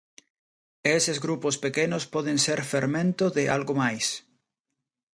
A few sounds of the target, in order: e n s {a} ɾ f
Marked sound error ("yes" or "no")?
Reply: yes